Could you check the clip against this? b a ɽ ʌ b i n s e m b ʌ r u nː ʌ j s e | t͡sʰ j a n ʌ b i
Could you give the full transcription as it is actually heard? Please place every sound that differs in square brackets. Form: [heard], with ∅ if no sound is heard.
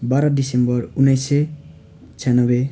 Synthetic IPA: b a [ɾ] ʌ [d] i [∅] s e m b ʌ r u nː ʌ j s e | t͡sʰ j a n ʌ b [e]